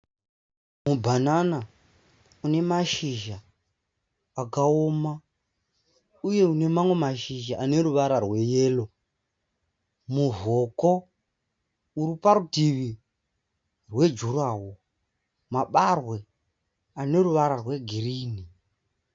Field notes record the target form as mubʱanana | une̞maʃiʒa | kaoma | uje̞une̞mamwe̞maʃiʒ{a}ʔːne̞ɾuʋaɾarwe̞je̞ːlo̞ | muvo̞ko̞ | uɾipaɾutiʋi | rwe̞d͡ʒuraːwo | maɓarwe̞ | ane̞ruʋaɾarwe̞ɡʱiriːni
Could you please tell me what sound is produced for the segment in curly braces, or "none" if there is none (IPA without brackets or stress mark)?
a